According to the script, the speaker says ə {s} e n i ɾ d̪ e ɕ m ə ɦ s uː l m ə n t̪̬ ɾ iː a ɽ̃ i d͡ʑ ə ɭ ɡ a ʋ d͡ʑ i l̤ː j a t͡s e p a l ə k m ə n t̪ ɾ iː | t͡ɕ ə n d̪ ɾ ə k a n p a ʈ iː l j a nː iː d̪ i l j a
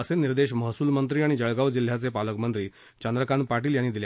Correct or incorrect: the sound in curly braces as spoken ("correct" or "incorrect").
correct